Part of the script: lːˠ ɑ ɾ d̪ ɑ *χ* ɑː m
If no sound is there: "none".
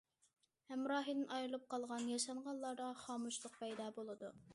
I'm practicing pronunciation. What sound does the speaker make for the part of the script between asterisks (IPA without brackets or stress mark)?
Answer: χ